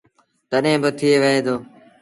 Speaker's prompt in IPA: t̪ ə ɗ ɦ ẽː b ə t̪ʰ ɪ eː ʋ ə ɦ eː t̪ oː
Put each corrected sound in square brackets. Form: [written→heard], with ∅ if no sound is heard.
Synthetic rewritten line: t̪ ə ɗ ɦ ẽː b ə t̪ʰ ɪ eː ʋ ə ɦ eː [t̪→d̪] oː